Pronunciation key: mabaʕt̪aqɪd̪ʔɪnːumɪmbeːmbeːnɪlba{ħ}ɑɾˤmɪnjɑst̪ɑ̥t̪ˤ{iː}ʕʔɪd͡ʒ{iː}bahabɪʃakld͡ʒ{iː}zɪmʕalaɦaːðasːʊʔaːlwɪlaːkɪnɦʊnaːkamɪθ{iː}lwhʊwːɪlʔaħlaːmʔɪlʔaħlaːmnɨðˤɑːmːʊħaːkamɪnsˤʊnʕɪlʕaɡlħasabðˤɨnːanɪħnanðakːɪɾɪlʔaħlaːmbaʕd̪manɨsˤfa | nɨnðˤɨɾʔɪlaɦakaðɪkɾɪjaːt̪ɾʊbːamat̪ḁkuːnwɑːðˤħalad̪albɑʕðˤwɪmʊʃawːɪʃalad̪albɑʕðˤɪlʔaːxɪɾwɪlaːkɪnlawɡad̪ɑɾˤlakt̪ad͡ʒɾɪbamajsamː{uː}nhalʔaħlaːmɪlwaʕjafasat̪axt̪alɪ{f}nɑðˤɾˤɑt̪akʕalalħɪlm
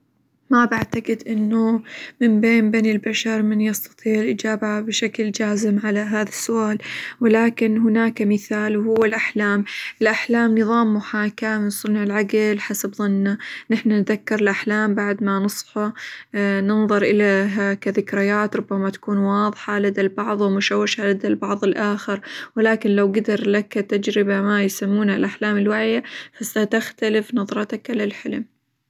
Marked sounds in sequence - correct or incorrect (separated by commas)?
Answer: incorrect, correct, incorrect, incorrect, incorrect, correct, correct